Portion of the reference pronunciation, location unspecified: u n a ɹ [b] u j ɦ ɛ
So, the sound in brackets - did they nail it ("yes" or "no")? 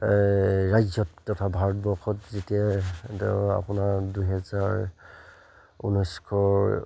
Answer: no